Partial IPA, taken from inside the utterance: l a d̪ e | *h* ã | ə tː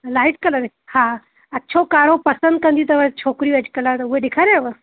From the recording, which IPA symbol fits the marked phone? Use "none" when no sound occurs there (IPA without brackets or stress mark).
h